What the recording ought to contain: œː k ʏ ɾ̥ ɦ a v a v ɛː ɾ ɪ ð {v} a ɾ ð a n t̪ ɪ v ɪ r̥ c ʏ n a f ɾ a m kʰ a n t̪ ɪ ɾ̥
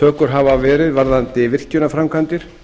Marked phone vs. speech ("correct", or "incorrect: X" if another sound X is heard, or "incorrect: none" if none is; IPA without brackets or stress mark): correct